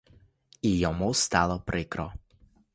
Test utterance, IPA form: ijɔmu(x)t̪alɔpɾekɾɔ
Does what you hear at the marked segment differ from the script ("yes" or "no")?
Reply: yes